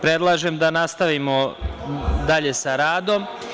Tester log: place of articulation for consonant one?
labial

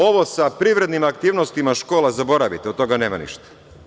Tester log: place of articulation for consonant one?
labial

